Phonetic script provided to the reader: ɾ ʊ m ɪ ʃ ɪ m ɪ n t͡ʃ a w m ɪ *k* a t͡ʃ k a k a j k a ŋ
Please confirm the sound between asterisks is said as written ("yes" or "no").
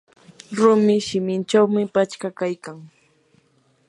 no